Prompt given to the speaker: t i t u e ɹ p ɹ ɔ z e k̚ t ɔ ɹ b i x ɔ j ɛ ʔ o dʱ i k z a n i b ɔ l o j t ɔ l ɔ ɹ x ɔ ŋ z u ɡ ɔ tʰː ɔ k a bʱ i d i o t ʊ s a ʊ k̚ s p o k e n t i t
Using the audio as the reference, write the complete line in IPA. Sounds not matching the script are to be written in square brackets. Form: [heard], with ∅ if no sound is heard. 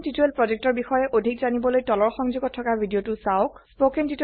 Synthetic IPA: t i t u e [l] p ɹ ɔ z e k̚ t ɔ ɹ b i x ɔ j ɛ ʔ o dʱ i k z a n i b ɔ l o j t ɔ l ɔ ɹ x ɔ ŋ z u ɡ ɔ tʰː ɔ k a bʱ i d i o t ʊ s a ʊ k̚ s p o k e n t i t